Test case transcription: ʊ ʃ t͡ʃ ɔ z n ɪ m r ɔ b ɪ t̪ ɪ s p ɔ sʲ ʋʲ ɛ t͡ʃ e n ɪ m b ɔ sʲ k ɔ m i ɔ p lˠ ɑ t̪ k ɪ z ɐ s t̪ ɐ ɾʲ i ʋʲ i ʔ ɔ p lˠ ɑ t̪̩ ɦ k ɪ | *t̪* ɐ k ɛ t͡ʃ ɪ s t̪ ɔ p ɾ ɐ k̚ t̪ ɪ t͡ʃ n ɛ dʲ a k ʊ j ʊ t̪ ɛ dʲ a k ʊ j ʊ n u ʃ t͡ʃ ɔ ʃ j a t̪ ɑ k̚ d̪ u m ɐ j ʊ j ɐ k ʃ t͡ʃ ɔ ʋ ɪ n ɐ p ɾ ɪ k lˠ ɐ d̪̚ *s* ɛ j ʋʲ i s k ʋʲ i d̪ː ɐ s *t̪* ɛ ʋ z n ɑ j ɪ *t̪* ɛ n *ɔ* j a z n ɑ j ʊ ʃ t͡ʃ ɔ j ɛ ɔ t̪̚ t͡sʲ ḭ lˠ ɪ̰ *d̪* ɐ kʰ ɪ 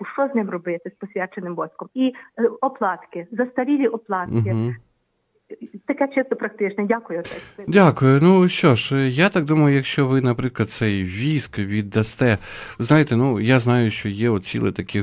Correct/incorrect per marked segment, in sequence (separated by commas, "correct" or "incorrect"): correct, correct, correct, correct, incorrect, incorrect